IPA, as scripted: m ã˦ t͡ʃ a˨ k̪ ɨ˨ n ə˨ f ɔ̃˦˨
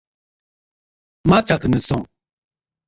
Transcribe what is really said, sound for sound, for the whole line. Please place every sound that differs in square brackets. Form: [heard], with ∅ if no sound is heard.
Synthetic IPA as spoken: m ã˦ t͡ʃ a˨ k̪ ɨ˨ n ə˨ [s] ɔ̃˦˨